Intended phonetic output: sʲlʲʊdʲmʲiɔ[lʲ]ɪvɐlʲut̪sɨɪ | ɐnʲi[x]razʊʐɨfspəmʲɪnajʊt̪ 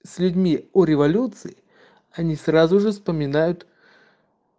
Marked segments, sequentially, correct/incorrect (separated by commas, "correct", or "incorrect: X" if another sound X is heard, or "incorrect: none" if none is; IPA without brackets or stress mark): incorrect: ɾʲ, incorrect: s